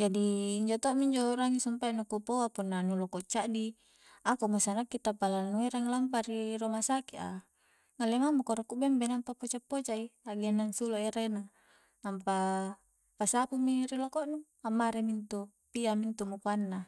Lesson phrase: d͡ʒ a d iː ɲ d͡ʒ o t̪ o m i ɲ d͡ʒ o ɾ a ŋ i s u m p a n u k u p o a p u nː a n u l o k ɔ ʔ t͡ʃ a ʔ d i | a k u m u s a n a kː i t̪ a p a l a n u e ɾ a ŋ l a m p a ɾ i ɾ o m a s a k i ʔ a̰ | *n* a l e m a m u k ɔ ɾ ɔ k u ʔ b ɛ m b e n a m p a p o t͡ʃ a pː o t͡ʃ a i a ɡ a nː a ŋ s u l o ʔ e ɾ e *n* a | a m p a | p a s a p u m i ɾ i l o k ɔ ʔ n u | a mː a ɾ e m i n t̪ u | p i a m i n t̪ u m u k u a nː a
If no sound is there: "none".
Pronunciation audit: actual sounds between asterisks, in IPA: ŋ, n

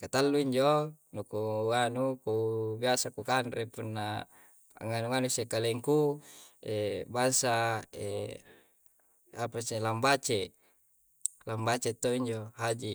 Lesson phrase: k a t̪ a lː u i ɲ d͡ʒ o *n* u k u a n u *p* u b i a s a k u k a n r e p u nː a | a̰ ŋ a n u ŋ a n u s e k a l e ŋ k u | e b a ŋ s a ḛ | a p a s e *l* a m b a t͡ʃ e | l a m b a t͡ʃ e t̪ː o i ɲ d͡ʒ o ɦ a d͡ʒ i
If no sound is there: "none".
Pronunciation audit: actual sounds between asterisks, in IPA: n, k, l

